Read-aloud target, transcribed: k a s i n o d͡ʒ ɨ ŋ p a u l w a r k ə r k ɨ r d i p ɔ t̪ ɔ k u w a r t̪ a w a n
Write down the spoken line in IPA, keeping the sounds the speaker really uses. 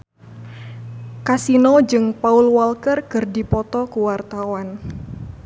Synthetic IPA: k a s i n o d͡ʒ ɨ ŋ p a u l w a l k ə r k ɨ r d i p ɔ t̪ ɔ k u w a r t̪ a w a n